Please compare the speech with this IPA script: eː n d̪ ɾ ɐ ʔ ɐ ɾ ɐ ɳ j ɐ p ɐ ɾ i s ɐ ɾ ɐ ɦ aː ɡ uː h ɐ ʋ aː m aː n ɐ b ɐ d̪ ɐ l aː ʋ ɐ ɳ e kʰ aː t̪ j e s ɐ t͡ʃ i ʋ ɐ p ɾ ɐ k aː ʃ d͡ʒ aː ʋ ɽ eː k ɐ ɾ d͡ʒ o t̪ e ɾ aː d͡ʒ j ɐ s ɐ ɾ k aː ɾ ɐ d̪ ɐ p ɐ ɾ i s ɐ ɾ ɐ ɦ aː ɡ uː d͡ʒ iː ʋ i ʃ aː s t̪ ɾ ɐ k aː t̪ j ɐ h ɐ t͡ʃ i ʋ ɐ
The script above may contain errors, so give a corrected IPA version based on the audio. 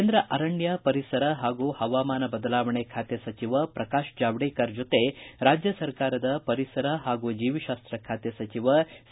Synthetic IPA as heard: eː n d̪ ɾ ɐ ʔ ɐ ɾ ɐ ɳ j ɐ p ɐ ɾ i s ɐ ɾ ɐ ɦ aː ɡ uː h ɐ ʋ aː m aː n ɐ b ɐ d̪ ɐ l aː ʋ ɐ ɳ e kʰ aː t̪ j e s ɐ t͡ʃ i ʋ ɐ p ɾ ɐ k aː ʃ d͡ʒ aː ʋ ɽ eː k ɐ ɾ d͡ʒ o t̪ e ɾ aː d͡ʒ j ɐ s ɐ ɾ k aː ɾ ɐ d̪ ɐ p ɐ ɾ i s ɐ ɾ ɐ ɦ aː ɡ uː d͡ʒ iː ʋ i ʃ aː s t̪ ɾ ɐ kʰ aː t̪ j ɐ s ɐ t͡ʃ i ʋ ɐ